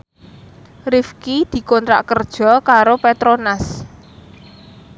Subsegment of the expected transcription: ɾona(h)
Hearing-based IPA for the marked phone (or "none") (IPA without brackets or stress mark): s